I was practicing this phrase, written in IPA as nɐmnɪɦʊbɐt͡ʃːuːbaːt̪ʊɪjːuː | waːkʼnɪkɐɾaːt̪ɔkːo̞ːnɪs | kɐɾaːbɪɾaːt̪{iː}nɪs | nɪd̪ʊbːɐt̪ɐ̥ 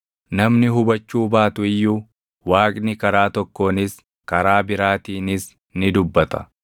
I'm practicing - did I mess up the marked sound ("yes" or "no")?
no